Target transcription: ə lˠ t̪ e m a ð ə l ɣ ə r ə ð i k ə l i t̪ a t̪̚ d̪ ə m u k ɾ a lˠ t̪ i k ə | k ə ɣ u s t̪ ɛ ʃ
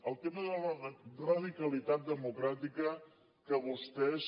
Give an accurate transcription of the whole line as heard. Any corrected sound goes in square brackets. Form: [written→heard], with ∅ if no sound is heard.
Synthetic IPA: ə lˠ t̪ e m [a→ə] ð ə l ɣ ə r ə ð i k ə l i t̪ a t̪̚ d̪ ə m u k ɾ a [lˠ→∅] t̪ i k ə | k ə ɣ u s t̪ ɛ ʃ